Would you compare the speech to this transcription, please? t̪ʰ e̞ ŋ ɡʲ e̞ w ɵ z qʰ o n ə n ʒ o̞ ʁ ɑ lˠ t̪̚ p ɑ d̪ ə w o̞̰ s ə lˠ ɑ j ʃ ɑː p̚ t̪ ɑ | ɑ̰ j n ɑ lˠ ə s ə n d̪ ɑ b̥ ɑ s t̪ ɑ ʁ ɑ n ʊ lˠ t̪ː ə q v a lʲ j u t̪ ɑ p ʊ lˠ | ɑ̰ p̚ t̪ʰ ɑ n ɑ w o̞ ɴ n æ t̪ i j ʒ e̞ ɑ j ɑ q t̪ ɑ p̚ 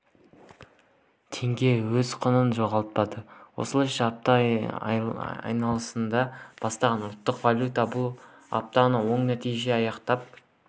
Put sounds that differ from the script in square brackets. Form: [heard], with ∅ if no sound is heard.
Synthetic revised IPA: t̪ʰ e̞ ŋ ɡʲ e̞ w ɵ z qʰ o n ə n ʒ o̞ ʁ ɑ lˠ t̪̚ p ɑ d̪ ə w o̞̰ s ə lˠ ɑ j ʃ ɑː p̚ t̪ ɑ | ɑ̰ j n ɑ lˠ ə s ə n d̪ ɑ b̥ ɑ s t̪ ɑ ʁ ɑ n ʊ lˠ t̪ː ə q v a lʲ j u t̪ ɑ [b] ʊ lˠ | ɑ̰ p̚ [t̪] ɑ n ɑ w o̞ ɴ n æ t̪ i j ʒ e̞ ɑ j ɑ q t̪ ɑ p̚